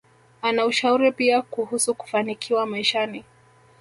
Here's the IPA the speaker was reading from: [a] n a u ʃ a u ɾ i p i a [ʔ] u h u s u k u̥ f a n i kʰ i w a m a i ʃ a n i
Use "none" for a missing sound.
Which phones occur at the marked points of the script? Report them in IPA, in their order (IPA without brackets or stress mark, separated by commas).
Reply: a, k